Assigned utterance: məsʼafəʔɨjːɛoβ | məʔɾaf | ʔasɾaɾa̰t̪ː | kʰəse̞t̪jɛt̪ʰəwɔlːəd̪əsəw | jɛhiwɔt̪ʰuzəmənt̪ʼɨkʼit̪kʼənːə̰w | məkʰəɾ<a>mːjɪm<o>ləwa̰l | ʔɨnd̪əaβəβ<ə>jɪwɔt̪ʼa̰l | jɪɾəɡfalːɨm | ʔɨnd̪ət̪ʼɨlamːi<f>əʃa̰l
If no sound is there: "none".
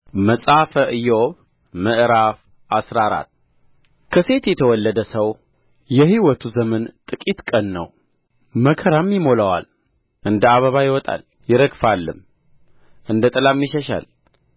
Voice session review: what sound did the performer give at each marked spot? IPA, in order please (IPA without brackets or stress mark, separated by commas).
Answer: a, o, a, ʃ